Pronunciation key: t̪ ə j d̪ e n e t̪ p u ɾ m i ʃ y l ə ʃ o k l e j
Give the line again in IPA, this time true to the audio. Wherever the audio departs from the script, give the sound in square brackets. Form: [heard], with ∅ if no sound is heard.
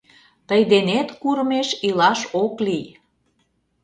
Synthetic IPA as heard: t̪ ə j d̪ e n e t̪ [k] u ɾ m [e] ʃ [i] l [ɑ] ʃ o k l [i] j